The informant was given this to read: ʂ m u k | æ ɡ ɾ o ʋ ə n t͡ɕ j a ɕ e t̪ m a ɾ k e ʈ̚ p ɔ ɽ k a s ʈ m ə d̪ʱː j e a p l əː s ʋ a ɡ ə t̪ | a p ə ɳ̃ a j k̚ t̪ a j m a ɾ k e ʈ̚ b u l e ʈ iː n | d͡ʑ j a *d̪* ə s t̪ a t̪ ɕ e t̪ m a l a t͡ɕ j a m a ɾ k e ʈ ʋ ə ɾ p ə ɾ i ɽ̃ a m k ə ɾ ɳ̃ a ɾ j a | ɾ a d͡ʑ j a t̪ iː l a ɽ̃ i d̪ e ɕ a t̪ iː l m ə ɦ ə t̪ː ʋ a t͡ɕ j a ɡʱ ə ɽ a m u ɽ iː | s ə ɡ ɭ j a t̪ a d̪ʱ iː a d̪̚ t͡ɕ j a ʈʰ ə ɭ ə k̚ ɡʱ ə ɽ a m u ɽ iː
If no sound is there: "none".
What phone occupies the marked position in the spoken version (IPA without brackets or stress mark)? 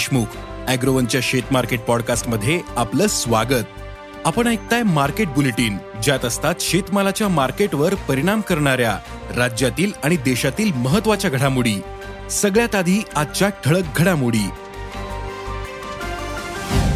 t̪